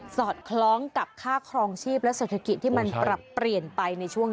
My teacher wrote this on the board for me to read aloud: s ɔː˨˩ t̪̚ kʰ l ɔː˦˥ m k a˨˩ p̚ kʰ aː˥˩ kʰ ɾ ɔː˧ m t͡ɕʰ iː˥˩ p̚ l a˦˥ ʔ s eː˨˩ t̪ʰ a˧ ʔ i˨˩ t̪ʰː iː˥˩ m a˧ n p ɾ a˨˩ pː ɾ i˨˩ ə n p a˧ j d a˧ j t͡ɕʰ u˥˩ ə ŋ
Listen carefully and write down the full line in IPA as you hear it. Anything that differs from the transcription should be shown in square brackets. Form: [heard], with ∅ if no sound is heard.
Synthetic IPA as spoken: s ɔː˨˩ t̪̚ kʰ l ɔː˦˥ [ŋ] k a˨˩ p̚ kʰ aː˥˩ kʰ ɾ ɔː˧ [ŋ] t͡ɕʰ iː˥˩ p̚ l [ɛ˦˥] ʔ s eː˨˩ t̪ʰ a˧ [k] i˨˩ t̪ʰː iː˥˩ m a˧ n p ɾ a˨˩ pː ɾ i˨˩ ə n p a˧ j [n] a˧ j t͡ɕʰ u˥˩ ə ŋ